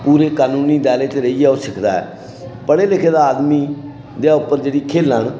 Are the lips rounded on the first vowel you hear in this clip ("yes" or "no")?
yes